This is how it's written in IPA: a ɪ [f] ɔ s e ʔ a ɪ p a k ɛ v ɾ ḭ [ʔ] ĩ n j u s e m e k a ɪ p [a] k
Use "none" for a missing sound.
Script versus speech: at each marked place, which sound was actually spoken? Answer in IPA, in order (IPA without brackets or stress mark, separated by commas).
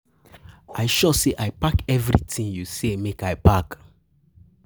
ʃ, t, a